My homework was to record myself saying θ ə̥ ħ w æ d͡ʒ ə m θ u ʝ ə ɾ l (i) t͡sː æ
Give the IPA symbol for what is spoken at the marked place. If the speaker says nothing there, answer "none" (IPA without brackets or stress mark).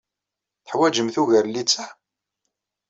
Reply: i